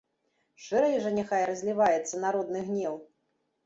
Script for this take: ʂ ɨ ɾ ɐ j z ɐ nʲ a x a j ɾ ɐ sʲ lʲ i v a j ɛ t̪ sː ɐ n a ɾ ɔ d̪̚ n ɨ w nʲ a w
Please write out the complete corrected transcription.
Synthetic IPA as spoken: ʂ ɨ ɾ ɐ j ʐ ɐ nʲ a x a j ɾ ɐ zʲ lʲ i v a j ɛ t̪ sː ɐ n a ɾ ɔ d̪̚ n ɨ ɣ nʲ ɛ w